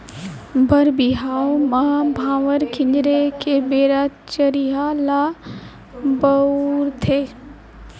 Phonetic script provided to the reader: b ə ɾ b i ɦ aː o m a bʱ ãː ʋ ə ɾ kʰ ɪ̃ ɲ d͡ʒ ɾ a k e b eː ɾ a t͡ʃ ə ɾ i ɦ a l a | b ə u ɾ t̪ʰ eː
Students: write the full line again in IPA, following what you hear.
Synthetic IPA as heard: b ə ɾ b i ɦ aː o m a bʱ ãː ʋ ə ɾ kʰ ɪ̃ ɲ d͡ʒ ɾ e k e b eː ɾ a t͡ʃ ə ɾ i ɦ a l a | b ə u ɾ t̪ʰ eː